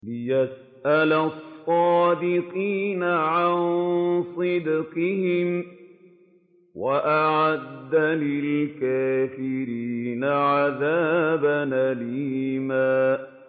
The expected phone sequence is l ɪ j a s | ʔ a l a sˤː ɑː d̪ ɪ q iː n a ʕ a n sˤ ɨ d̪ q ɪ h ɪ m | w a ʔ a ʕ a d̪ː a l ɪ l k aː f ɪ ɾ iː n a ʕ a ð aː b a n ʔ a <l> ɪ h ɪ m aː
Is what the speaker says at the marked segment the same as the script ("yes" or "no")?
yes